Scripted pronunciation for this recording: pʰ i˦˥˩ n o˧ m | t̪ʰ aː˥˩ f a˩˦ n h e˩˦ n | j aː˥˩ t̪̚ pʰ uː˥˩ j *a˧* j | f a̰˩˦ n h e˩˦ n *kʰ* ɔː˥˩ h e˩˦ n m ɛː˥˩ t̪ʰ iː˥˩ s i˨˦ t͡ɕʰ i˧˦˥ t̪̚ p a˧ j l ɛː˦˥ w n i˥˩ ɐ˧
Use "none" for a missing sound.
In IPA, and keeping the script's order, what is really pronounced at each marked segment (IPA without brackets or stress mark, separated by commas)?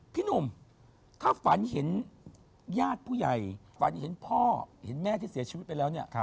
a˨˩, pʰ